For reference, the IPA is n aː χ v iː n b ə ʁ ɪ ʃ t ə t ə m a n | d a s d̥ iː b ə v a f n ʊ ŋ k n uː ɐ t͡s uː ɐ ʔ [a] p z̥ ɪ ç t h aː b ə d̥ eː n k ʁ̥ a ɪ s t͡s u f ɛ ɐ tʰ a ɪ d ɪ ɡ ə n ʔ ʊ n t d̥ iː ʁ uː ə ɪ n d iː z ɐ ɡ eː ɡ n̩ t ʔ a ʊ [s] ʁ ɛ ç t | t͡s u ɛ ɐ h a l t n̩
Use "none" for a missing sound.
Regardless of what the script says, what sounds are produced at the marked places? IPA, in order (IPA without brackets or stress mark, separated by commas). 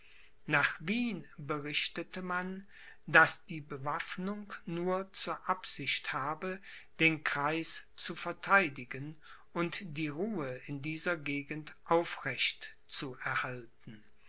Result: a, f